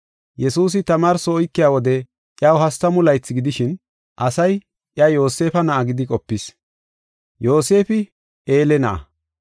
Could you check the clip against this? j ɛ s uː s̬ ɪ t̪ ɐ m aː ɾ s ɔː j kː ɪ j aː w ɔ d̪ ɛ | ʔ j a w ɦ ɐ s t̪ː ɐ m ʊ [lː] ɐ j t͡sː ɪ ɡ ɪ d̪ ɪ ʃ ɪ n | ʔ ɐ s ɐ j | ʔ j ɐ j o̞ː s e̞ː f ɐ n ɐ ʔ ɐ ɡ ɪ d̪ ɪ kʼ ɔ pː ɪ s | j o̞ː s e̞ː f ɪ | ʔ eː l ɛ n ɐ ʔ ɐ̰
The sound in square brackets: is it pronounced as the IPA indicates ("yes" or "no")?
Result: no